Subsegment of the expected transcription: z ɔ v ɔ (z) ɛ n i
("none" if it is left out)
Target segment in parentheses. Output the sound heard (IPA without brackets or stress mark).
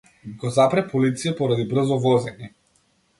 z